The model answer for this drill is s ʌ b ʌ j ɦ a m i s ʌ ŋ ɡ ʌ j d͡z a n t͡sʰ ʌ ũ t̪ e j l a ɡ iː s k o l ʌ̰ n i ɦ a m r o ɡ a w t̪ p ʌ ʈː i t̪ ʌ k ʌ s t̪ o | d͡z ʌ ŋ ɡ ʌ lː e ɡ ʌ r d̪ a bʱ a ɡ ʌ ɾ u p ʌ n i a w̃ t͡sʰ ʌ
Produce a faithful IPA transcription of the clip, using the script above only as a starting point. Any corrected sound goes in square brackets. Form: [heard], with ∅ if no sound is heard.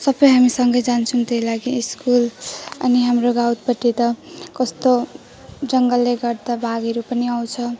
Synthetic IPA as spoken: s ʌ b ʌ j ɦ a m i s ʌ ŋ ɡ ʌ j d͡z a n t͡sʰ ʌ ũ t̪ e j l a ɡ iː s k [u] l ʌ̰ n i ɦ a m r o ɡ a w t̪ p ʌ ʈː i t̪ ʌ k ʌ s t̪ o | d͡z ʌ ŋ ɡ ʌ lː e ɡ ʌ r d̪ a bʱ a ɡ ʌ ɾ u p ʌ n i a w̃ t͡sʰ ʌ